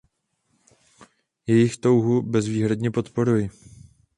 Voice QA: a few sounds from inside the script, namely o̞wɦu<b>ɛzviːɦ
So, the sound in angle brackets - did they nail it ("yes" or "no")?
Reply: yes